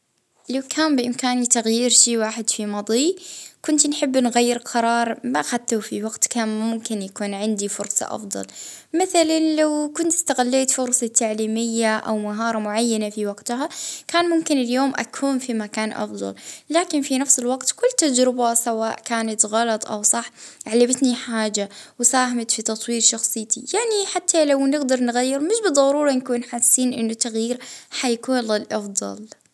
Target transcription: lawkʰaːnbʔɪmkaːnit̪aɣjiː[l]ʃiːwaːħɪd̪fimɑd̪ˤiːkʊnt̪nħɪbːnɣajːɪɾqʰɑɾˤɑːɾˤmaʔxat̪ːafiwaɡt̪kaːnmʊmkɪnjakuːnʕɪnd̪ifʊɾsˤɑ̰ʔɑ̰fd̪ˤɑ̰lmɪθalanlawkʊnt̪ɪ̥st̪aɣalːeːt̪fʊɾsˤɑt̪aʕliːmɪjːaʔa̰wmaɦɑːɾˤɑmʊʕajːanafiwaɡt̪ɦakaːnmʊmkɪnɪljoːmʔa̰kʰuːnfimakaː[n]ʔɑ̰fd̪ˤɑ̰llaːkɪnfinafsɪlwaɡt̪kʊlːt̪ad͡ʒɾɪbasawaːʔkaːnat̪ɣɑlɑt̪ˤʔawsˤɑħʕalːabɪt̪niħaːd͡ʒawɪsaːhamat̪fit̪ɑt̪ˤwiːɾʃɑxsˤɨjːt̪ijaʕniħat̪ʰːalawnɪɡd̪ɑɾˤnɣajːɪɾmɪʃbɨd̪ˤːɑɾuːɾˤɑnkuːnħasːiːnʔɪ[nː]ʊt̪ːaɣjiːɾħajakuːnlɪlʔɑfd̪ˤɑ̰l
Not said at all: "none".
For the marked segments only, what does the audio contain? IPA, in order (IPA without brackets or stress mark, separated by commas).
ɾ, n, nː